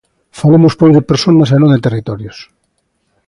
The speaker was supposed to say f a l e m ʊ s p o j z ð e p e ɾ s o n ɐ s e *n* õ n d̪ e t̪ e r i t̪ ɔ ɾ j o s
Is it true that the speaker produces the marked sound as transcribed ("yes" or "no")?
yes